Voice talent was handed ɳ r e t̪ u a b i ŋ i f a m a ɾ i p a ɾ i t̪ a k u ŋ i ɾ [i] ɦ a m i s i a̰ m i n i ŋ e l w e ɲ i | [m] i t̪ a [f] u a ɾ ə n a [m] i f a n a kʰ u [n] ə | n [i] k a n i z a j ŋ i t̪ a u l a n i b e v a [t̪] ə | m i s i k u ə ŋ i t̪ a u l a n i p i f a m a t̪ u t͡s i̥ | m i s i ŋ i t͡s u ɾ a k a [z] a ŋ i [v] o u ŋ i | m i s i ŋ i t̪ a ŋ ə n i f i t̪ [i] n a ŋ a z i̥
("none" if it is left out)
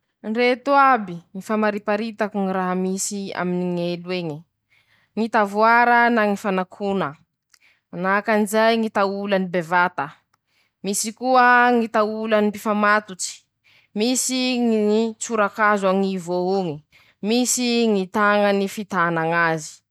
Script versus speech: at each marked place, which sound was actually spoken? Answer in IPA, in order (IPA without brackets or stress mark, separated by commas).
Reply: a, ŋ, v, ŋ, n, a, t̪, z, v, a